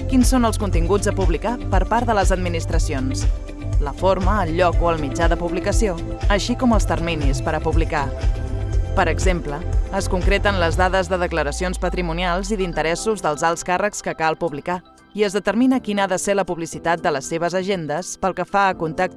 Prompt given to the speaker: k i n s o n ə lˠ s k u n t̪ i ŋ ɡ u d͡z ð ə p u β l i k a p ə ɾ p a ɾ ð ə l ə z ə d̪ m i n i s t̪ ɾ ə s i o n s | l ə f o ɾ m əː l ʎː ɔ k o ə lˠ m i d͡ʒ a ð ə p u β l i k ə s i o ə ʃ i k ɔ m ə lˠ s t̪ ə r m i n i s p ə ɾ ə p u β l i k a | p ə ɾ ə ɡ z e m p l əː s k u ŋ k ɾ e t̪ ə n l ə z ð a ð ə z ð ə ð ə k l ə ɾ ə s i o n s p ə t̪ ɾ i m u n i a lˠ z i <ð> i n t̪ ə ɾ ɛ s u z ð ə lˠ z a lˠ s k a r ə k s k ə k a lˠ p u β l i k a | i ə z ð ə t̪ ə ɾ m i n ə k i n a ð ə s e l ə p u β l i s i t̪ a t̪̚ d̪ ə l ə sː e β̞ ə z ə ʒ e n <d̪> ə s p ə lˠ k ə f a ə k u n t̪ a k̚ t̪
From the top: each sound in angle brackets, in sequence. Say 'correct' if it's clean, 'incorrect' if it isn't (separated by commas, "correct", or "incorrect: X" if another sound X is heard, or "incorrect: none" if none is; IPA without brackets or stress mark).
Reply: correct, correct